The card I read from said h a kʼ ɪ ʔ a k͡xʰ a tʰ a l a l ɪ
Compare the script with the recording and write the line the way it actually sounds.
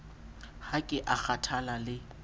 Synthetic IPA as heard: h a kʼ ɪ ʔ a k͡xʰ a tʰ a l a l ɪ